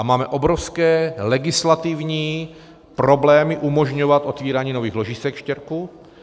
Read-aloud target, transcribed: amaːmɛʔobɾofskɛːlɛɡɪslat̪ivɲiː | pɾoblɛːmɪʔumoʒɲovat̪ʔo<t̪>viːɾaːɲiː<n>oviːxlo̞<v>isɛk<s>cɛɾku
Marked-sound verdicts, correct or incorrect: correct, correct, incorrect: ʒ, incorrect: ʃ

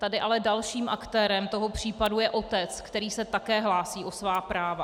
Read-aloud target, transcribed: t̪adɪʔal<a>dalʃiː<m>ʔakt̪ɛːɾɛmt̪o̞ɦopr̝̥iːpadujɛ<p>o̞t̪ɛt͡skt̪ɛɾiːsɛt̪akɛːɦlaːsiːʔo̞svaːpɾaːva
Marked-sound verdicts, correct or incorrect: incorrect: ɛ, correct, incorrect: ʔ

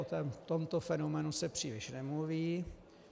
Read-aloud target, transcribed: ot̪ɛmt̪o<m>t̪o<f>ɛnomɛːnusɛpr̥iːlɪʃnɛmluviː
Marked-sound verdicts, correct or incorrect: correct, correct

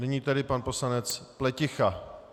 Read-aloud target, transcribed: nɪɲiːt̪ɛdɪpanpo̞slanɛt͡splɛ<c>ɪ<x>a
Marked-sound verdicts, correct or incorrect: correct, correct

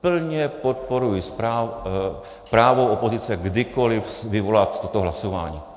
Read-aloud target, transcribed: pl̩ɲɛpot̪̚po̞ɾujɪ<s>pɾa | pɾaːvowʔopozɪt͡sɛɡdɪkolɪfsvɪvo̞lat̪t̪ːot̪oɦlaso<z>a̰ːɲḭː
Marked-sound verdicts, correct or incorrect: correct, incorrect: v

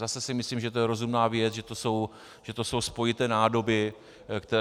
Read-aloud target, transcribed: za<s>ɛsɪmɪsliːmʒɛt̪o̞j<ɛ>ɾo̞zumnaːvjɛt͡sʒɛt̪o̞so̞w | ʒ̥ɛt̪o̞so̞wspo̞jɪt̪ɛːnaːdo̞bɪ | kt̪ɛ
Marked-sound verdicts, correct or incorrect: correct, correct

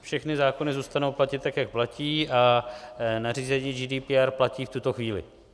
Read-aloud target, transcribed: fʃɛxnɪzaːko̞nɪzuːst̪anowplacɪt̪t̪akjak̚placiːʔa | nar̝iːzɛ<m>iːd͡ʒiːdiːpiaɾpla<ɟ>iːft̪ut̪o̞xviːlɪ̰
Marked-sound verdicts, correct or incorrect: incorrect: ɲ, incorrect: c

